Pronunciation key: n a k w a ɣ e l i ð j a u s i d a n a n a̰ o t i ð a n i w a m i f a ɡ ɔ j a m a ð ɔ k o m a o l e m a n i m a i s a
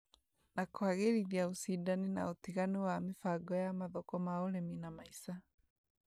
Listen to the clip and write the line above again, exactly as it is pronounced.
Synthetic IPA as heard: n a k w a ɣ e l i ð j a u s i d a n i n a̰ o t i ɣ a n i w a m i f a ɡ ɔ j a m a ð ɔ k ɔ m a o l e m i n a m a i s a